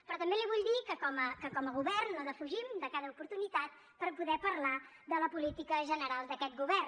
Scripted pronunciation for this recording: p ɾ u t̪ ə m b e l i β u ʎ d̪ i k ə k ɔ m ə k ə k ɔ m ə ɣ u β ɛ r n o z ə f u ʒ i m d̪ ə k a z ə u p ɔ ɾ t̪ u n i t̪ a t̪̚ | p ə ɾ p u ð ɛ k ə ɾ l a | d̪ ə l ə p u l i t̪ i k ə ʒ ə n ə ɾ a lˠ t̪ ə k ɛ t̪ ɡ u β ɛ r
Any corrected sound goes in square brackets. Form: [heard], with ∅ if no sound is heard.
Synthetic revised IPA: p ɾ [ɔ] t̪ ə m b e l i β u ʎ d̪ i k ə k ɔ m ə k ə k ɔ m ə ɣ u β ɛ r n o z ə f u ʒ i m d̪ ə k a [ð] ə u p [u] ɾ t̪ u n i t̪ a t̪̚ | p ə ɾ p u ð ɛ [p] ə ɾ l a | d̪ ə l ə p u l i t̪ i k ə ʒ ə n ə ɾ a lˠ [d̪] ə k ɛ t̪ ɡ u β ɛ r